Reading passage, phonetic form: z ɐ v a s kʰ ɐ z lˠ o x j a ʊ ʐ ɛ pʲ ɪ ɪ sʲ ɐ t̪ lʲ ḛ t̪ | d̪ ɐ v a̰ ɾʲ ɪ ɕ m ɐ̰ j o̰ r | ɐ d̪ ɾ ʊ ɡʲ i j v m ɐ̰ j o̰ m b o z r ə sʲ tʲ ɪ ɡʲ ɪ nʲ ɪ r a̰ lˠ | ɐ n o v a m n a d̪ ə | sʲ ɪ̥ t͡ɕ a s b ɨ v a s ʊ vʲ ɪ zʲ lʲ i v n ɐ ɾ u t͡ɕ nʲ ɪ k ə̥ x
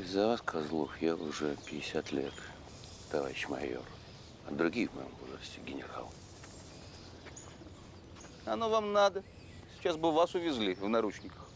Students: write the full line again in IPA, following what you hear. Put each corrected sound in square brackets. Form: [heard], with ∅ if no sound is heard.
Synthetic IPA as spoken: z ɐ v a s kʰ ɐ z lˠ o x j a ʊ ʐ ɛ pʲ ɪ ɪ sʲ [a] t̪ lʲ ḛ t̪ | [t̪] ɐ v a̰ ɾʲ ɪ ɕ m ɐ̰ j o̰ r | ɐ d̪ ɾ ʊ ɡʲ i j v m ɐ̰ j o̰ m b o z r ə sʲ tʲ ɪ ɡʲ ɪ nʲ ɪ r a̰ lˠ | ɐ n o v a m n a d̪ ə | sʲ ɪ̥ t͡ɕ a s b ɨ v a s ʊ vʲ ɪ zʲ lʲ i v n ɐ ɾ u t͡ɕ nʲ ɪ k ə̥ x

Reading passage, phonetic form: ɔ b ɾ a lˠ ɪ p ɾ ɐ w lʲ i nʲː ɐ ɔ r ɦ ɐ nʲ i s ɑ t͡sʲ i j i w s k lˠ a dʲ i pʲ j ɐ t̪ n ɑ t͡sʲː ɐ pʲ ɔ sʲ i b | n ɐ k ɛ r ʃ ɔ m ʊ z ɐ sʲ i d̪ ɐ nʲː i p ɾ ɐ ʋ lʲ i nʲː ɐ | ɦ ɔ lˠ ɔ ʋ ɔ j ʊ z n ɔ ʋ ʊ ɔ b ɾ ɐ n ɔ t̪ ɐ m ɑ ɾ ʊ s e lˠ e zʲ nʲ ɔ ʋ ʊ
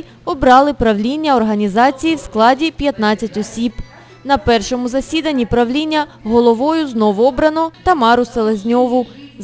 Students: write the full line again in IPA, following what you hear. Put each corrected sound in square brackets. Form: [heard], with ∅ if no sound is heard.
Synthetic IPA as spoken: ɔ b ɾ [ɑ] lˠ ɪ p ɾ ɐ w lʲ i nʲː ɐ ɔ r ɦ ɐ nʲ i [z] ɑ t͡sʲ i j i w s k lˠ [ɑ] dʲ i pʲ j ɐ t̪ n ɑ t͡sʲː ɐ [tʲ] ɔ sʲ i b | n ɐ [p] ɛ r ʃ ɔ m ʊ z ɐ sʲ i d̪ ɐ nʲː i p ɾ ɐ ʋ lʲ i nʲː ɐ | ɦ ɔ lˠ ɔ ʋ ɔ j ʊ z n ɔ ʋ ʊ ɔ b ɾ ɐ n ɔ t̪ ɐ m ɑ ɾ ʊ s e lˠ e zʲ nʲ ɔ ʋ ʊ

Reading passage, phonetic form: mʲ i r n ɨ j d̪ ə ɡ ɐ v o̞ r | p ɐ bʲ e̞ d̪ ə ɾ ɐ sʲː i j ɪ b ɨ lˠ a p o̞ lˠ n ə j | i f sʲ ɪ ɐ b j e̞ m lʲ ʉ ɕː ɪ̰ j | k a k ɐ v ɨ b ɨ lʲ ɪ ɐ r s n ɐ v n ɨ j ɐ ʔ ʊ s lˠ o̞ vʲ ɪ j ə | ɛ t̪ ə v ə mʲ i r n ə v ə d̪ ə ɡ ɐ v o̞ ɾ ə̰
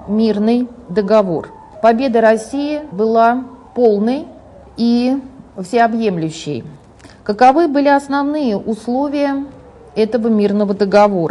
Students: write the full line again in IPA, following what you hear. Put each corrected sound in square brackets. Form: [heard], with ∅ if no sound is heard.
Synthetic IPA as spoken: mʲ i r n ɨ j d̪ ə ɡ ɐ v o̞ r | p ɐ bʲ e̞ d̪ ə ɾ ɐ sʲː i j ɪ b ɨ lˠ a p o̞ lˠ n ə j | i f sʲ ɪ ɐ b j e̞ m lʲ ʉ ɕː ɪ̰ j | k [ə] k ɐ v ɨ b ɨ lʲ ɪ ɐ [∅] s n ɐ v n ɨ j [ə] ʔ ʊ s lˠ o̞ vʲ ɪ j ə | ɛ t̪ ə v ə mʲ i r n ə v ə d̪ ə ɡ ɐ v o̞ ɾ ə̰

